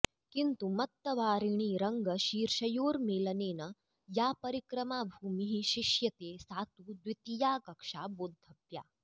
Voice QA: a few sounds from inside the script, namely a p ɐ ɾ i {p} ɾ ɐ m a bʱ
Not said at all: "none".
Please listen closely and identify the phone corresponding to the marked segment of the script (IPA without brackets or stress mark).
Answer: k